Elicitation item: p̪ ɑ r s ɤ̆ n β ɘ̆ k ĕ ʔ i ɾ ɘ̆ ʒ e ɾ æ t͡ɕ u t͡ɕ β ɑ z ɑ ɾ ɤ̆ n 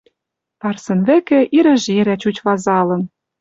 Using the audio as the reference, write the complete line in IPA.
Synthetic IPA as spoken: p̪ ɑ r s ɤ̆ n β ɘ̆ k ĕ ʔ i ɾ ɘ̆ ʒ e ɾ æ t͡ɕ u t͡ɕ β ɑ z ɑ l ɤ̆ n